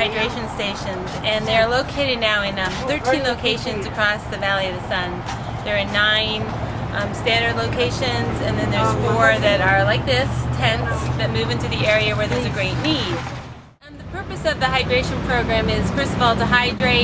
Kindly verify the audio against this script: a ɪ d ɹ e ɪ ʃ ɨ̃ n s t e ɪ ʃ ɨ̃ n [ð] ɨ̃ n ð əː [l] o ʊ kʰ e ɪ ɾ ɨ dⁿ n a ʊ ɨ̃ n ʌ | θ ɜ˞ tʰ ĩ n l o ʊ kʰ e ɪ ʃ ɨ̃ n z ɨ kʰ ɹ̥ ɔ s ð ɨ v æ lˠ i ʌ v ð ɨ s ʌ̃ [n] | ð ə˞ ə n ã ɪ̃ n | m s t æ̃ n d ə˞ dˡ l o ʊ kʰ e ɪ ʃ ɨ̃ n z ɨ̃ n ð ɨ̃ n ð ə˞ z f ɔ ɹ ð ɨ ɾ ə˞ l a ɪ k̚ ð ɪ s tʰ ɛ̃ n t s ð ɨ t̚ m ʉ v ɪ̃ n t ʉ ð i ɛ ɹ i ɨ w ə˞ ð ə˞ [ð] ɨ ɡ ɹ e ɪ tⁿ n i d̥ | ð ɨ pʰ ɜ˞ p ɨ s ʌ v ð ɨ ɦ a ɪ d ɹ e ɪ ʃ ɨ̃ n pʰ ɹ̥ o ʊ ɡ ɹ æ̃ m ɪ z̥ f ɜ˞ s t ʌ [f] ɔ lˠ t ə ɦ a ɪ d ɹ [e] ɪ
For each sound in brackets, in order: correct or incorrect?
incorrect, correct, correct, incorrect, incorrect, correct

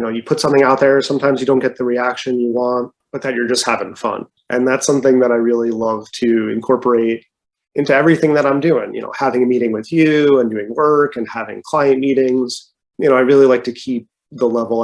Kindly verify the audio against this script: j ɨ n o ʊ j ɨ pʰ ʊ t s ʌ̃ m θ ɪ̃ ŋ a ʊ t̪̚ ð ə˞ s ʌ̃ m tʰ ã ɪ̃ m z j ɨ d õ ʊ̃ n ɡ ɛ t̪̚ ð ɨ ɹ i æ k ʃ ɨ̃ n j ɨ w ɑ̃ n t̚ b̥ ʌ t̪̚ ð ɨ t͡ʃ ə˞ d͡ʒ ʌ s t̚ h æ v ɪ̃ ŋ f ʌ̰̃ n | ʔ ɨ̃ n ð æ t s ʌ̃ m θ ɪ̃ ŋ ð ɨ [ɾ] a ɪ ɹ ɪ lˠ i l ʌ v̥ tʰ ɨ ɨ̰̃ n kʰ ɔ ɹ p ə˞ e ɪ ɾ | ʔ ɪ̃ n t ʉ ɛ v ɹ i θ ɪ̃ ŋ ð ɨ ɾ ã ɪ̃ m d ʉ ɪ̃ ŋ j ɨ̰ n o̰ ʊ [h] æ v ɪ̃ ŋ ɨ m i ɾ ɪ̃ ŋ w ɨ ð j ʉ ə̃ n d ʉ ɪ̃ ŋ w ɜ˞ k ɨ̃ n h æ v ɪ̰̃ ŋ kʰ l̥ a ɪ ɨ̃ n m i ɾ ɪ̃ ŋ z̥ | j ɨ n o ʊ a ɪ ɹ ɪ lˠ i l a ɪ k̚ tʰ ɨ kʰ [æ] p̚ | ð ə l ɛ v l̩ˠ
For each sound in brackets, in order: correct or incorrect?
correct, correct, incorrect

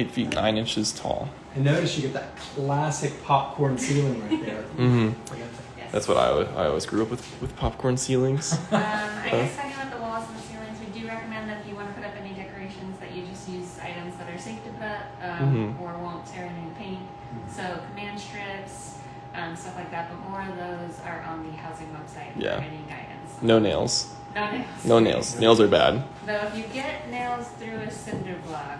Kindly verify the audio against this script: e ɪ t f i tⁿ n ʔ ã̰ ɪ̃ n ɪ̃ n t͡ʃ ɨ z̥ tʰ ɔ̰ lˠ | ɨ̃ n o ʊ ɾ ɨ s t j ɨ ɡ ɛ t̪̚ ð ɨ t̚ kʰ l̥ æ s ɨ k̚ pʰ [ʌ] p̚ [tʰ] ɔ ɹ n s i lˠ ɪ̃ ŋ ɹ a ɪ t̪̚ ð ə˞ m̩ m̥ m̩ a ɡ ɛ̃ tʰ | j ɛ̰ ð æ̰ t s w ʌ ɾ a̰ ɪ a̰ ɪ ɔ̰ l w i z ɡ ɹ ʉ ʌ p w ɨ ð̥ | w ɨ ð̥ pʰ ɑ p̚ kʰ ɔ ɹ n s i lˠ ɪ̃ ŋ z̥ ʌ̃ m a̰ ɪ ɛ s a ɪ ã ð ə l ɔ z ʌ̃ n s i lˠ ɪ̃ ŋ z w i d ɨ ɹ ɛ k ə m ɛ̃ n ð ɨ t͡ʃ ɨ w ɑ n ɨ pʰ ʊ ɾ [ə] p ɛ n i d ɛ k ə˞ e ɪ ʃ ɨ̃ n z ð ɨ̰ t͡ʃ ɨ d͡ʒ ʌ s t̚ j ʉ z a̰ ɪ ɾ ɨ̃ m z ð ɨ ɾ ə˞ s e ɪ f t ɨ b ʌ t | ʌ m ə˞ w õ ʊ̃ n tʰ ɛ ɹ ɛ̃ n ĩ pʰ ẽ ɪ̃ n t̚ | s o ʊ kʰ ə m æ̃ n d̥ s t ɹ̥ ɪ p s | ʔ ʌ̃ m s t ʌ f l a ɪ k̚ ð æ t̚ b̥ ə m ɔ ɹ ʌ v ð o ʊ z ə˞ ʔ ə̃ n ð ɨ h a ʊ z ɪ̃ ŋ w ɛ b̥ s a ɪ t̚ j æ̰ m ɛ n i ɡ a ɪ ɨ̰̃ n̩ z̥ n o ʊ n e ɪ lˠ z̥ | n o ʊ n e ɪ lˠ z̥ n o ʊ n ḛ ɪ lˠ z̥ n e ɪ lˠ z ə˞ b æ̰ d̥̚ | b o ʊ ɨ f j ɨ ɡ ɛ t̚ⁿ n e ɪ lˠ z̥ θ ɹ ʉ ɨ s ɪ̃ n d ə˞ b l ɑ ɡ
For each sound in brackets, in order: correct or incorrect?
incorrect, incorrect, incorrect

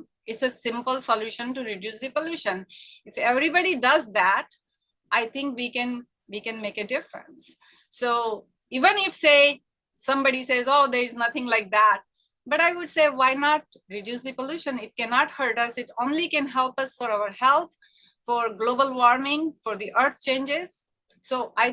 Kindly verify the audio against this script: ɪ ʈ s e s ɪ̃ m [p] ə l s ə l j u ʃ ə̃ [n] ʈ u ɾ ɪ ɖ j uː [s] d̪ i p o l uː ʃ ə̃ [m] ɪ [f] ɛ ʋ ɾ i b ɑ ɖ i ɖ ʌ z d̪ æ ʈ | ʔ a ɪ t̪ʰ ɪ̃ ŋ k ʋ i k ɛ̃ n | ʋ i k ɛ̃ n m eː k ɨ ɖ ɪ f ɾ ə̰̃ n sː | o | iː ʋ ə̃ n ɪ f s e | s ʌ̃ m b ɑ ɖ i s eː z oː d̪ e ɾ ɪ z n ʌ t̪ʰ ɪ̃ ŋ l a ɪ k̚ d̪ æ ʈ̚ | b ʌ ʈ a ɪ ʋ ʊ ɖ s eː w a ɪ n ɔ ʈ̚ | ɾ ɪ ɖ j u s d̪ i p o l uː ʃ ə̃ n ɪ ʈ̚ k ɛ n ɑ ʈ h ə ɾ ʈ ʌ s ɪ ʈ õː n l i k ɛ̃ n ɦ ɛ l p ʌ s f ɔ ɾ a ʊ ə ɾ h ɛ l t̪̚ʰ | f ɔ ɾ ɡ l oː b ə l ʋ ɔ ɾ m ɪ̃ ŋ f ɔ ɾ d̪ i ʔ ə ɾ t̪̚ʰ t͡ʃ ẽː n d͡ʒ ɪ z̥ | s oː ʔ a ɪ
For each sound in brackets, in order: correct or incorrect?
correct, correct, correct, incorrect, correct

